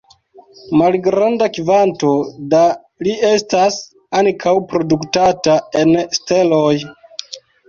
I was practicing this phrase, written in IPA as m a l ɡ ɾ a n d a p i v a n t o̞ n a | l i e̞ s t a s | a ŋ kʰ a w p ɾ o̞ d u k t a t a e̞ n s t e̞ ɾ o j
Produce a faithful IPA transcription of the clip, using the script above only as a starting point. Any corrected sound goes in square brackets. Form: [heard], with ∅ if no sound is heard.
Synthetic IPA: m a l ɡ ɾ a n d a [k] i v a n t o̞ [d] a | l i e̞ s t a s | a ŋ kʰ a w p ɾ o̞ d u k t a t a e̞ n s t e̞ [l] o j